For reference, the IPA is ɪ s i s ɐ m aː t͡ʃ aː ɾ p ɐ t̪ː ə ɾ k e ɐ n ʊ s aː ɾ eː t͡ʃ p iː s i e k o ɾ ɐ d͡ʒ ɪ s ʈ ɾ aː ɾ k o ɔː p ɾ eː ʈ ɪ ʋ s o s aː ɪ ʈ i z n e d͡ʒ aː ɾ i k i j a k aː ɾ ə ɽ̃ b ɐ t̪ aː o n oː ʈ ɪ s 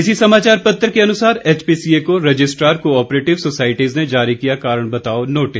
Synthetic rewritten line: ɪ s i s ɐ m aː t͡ʃ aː ɾ p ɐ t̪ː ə ɾ k e ɐ n ʊ s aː ɾ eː t͡ʃ p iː s i e k o ɾ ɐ d͡ʒ ɪ s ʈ ɾ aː ɾ k o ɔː p ɾ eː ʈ ɪ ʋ s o s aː ɪ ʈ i z n e d͡ʒ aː ɾ i k i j a k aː ɾ ə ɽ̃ b ɐ t̪ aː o n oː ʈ ɪ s